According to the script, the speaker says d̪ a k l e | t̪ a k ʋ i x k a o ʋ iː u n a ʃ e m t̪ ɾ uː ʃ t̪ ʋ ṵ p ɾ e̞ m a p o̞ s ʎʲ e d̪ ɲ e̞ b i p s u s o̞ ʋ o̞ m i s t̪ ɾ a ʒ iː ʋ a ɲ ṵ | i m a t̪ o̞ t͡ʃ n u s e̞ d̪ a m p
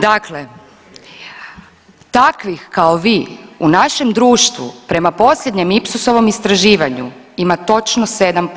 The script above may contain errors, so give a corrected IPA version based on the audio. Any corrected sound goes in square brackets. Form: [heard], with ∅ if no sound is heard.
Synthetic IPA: d̪ a k l e | t̪ a k ʋ i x k a o ʋ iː u n a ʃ e m [d̪] ɾ uː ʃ t̪ ʋ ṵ p ɾ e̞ m a p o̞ s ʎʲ e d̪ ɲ e̞ [m] i p s u s o̞ ʋ o̞ m i s t̪ ɾ a ʒ iː ʋ a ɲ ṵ | i m a t̪ o̞ t͡ʃ n [o] s e̞ d̪ a m p